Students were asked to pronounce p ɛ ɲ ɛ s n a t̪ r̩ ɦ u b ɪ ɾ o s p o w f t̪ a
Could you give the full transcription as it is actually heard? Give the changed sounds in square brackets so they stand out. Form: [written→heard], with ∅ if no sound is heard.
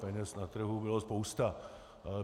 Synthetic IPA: p ɛ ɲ ɛ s n a t̪ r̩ ɦ u b ɪ [ɾ→l] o s p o w [f→s] t̪ a